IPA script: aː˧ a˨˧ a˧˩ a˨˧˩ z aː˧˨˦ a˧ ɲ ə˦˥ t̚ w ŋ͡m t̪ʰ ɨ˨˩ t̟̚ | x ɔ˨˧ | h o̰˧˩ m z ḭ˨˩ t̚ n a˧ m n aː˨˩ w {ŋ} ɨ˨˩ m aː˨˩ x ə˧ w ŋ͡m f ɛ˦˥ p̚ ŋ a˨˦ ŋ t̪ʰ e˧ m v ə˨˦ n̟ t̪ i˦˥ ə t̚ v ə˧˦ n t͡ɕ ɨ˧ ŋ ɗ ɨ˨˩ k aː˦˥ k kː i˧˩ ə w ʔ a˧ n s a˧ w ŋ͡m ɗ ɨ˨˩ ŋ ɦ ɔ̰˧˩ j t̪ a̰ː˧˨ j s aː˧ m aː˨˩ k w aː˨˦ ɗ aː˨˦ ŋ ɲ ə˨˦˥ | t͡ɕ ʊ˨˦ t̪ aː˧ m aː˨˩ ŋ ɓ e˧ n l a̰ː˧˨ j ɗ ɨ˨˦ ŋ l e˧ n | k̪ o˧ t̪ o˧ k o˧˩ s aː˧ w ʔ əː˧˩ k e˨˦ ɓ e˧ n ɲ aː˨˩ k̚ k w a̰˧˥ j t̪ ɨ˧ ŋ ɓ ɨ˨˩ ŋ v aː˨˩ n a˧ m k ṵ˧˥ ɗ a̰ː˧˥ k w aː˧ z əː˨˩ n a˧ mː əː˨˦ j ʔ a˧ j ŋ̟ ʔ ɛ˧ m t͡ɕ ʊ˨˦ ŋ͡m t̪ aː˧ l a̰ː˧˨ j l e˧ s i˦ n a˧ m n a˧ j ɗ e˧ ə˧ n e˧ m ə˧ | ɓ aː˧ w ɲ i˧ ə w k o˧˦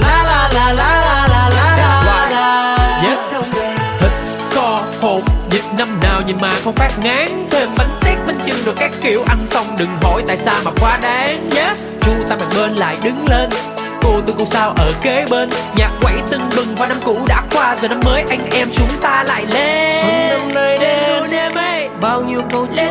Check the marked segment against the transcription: incorrect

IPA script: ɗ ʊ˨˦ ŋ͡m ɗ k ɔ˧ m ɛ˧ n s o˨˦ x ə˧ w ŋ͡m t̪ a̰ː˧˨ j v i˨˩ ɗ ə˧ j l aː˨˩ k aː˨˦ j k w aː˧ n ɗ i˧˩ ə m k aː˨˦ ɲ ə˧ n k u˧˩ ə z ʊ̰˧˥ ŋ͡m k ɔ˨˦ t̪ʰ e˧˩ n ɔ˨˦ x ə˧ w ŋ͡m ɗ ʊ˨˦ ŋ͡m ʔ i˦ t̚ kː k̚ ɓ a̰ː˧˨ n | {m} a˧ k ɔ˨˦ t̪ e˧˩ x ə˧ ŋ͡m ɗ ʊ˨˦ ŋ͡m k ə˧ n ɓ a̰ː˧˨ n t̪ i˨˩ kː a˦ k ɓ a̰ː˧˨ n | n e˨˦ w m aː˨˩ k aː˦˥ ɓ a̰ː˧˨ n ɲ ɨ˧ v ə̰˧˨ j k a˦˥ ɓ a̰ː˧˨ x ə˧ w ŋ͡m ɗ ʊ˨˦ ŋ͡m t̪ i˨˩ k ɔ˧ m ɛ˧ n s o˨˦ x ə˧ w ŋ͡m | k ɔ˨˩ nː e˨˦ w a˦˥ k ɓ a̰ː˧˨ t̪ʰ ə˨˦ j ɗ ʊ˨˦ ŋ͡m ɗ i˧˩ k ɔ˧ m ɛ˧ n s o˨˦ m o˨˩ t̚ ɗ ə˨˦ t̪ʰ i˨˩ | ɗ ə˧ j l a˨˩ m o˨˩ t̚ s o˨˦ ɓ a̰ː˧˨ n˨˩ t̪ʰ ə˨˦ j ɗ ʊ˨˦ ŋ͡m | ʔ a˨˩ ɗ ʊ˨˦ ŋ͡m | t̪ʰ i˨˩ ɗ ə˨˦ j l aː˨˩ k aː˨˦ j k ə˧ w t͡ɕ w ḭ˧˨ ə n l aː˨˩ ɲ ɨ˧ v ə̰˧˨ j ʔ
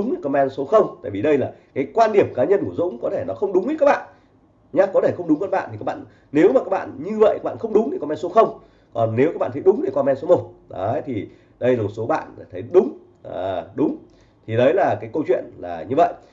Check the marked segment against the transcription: incorrect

